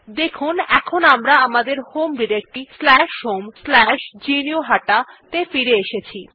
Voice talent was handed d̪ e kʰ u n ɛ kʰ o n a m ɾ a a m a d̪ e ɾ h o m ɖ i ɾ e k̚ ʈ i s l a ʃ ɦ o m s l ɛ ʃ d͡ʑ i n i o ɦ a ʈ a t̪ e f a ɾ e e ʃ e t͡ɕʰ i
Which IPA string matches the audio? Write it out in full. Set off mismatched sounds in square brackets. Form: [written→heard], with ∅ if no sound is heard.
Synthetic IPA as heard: d̪ e kʰ u n ɛ kʰ o n a m ɾ a a m a d̪ e ɾ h o m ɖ i ɾ e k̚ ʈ i s l [a→ɛ] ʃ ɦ o m s l ɛ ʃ d͡ʑ i n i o ɦ a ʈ a t̪ e f [a→i] ɾ e e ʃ e t͡ɕʰ i